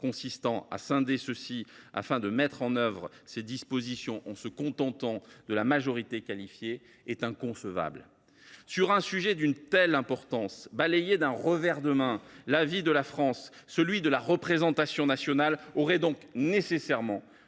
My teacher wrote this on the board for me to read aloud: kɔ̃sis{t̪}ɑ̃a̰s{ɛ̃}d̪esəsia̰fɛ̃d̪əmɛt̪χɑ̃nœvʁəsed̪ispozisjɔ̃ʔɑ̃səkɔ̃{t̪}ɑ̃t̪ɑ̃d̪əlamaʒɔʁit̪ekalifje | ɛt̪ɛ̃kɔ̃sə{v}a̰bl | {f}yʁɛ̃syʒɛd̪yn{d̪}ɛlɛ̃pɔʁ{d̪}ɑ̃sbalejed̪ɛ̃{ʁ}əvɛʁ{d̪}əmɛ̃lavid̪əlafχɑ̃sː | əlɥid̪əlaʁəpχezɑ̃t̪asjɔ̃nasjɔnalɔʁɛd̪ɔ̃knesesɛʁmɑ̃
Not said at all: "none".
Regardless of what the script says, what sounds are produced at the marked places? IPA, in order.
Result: t̪, ɛ̃, t̪, v, s, t̪, t̪, ʁ, d̪

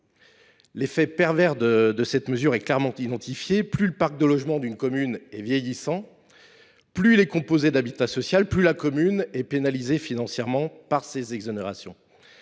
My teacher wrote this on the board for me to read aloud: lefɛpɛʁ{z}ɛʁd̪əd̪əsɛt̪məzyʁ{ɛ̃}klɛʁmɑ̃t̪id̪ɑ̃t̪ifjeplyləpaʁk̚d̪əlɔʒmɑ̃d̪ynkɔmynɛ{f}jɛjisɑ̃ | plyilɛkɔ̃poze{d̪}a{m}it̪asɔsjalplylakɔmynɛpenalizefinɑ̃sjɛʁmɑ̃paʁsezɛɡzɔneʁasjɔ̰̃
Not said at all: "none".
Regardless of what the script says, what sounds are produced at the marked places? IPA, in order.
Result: v, ɛ, v, d̪, b

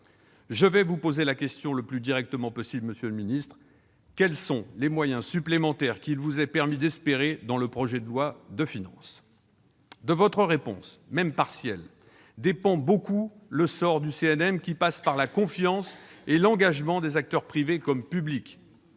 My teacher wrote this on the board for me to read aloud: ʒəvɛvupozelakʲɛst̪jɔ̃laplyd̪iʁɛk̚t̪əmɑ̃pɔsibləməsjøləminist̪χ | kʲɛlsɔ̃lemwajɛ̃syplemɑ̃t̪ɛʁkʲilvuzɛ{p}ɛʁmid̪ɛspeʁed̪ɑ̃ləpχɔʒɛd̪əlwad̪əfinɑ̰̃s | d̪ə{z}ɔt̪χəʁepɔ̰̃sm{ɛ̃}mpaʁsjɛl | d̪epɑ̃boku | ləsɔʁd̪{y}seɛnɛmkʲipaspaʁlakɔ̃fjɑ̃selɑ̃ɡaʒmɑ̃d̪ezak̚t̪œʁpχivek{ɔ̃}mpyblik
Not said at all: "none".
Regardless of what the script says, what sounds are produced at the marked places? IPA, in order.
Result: p, v, ɛ, y, ɔ

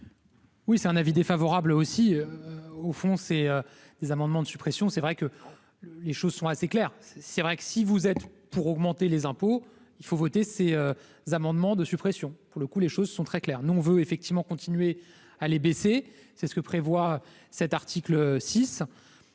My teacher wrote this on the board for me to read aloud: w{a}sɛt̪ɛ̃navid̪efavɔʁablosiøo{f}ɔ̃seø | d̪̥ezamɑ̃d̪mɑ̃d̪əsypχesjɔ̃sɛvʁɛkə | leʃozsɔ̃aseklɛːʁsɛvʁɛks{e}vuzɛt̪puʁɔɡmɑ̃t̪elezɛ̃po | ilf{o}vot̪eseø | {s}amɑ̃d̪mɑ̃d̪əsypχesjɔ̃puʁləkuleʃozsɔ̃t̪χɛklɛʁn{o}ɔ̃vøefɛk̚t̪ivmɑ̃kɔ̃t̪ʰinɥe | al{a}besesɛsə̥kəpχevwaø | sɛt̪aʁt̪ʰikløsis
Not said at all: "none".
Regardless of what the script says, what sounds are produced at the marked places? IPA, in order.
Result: i, f, i, o, z, u, e

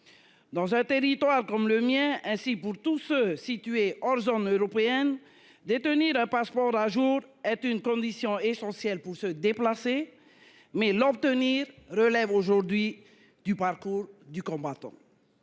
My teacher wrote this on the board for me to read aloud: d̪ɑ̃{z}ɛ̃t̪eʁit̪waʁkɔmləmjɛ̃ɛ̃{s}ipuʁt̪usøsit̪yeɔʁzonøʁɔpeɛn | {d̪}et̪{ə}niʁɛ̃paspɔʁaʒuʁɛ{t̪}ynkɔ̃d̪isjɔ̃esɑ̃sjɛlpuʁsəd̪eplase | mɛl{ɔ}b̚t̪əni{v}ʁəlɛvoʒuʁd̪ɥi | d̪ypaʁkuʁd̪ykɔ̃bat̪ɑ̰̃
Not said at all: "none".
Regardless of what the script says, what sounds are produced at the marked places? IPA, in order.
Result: z, s, d̪, ə, t̪, ɔ, ʁ

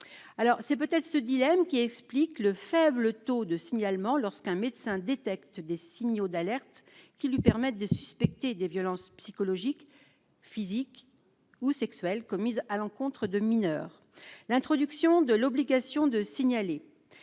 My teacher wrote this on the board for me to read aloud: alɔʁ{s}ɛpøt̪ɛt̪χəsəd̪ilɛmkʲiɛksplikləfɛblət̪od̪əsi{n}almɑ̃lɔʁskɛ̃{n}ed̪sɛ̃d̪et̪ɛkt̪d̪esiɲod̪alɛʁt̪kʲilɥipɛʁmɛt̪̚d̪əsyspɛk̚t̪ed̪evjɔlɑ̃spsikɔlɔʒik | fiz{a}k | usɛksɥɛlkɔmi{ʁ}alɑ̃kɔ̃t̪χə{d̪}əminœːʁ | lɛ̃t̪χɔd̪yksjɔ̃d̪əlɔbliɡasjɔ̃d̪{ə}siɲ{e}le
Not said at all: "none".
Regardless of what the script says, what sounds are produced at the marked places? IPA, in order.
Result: s, ɲ, m, i, z, d̪, ə, a

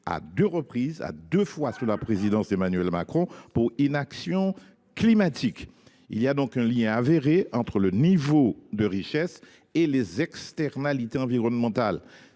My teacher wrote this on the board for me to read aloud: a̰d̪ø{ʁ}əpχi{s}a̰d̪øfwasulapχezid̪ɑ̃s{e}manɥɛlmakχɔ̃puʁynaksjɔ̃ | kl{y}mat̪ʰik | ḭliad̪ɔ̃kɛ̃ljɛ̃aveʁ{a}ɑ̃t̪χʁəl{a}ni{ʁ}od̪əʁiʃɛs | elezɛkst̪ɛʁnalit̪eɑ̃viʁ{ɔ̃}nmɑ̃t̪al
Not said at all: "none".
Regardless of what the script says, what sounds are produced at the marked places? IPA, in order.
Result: ʁ, z, e, i, e, ə, v, ɔ

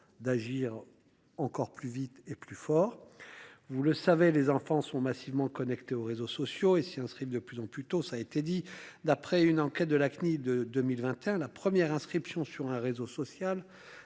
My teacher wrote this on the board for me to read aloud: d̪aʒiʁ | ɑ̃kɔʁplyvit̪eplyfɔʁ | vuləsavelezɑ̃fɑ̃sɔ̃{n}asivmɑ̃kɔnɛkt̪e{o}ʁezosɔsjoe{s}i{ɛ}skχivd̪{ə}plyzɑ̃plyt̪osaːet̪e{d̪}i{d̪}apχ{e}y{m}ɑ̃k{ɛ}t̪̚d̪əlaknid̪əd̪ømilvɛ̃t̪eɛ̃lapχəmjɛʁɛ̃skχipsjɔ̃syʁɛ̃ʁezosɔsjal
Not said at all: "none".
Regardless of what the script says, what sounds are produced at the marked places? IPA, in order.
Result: m, o, s, ɛ̃, ə, d̪, d̪, ɛ, n, ɛ

